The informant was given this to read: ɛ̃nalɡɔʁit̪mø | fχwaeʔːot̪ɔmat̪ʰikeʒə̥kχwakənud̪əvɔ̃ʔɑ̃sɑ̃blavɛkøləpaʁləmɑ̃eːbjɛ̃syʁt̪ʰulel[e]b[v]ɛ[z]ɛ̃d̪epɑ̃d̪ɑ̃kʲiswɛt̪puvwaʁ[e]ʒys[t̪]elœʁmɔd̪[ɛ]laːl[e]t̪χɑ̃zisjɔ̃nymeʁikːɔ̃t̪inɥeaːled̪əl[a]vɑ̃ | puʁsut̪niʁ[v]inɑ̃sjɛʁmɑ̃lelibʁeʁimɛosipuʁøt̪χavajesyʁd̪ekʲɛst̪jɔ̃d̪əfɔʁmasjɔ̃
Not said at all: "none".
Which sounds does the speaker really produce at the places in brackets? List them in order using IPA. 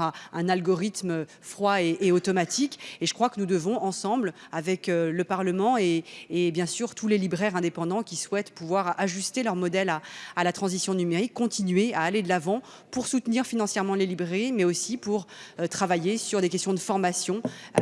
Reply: i, ʁ, ʁ, a, t̪, ɛ, a, a, f

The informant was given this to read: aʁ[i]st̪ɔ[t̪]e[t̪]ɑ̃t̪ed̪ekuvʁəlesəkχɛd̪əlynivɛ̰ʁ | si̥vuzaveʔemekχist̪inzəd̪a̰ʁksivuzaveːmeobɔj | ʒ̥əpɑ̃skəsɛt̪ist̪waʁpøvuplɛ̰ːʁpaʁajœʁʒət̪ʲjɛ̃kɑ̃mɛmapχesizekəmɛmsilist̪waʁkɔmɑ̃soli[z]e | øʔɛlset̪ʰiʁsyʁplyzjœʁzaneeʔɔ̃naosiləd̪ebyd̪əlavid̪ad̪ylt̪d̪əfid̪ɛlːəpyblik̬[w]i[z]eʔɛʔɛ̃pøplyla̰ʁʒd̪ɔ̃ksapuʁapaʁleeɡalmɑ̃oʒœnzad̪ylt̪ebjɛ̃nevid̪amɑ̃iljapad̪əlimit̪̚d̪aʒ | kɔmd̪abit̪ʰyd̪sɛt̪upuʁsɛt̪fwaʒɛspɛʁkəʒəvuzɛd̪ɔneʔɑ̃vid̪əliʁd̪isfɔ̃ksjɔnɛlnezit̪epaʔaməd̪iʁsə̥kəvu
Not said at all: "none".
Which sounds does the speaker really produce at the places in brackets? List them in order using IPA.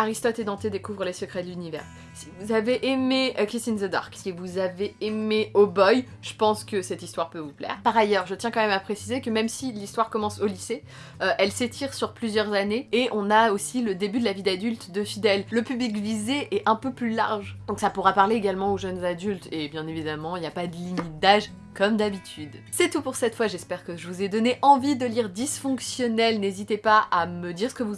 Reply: i, t̪, d̪, s, v, z

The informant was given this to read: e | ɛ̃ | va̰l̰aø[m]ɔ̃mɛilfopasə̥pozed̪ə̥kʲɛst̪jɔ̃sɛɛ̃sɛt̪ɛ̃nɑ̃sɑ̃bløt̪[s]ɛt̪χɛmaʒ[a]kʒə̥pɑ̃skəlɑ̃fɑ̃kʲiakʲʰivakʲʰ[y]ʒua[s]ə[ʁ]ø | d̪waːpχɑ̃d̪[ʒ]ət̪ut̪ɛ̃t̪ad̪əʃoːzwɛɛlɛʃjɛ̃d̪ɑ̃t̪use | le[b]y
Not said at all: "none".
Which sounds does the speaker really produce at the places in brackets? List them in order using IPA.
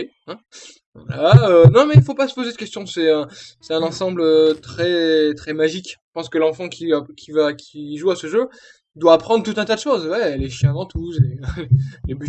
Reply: n, χ, i, i, s, ʒ, ʁ, b

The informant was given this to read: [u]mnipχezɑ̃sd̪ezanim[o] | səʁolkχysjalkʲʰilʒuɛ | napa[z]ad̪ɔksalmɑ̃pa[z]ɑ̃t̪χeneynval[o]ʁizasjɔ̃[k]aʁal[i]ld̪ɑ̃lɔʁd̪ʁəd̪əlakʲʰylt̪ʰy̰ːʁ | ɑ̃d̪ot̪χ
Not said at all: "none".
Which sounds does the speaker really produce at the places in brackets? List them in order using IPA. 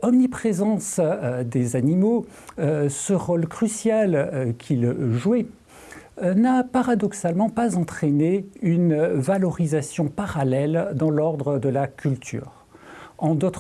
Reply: ɔ, o, ʁ, z, ɔ, p, ɛ

